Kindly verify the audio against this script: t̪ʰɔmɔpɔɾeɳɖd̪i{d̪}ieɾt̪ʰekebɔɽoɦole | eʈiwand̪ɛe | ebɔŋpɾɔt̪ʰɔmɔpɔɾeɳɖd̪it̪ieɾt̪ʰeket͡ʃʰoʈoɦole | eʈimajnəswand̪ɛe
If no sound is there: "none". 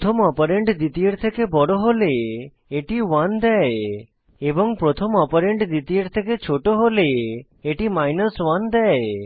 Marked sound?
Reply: t̪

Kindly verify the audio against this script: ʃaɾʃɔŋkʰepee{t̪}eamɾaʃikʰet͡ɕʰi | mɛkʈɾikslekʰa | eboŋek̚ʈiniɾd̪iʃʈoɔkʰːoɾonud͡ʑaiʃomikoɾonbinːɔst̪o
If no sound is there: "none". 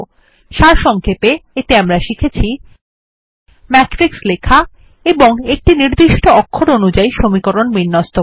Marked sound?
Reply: t̪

